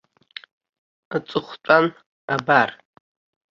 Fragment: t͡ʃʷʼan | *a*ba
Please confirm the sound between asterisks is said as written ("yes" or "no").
yes